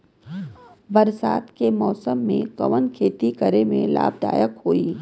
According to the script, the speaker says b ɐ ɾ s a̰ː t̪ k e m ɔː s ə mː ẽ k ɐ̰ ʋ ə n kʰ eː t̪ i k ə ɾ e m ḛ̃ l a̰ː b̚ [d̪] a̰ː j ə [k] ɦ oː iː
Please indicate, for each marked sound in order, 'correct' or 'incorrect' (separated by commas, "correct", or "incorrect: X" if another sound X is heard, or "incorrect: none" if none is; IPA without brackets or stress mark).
correct, correct